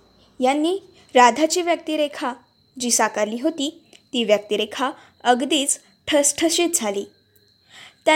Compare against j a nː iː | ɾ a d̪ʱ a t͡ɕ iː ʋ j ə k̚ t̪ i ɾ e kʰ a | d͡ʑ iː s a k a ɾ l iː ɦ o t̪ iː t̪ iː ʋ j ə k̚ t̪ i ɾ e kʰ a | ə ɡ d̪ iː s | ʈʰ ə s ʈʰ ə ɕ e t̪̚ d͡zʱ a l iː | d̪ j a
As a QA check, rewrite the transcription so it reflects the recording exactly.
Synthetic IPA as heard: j a nː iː | ɾ a d̪ʱ a t͡ɕ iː ʋ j ə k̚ t̪ i ɾ e kʰ a | d͡ʑ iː s a k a ɾ l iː ɦ o t̪ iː t̪ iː ʋ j ə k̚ t̪ i ɾ e kʰ a | ə ɡ d̪ iː t͡s | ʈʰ ə s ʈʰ ə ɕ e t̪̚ d͡zʱ a l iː | t̪ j a